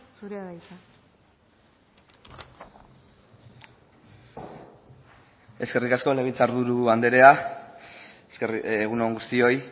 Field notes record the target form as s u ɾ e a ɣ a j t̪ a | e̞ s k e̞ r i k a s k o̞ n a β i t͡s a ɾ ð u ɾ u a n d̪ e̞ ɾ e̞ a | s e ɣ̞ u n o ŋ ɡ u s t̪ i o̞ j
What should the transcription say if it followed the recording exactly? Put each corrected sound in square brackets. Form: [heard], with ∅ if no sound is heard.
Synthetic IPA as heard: s u ɾ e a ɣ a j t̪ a | e̞ s k e̞ r i k a s k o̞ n [e] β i t͡s a ɾ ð u ɾ u a n d̪ e̞ ɾ e̞ a | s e ɣ̞ u n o ŋ ɡ u s t̪ i o̞ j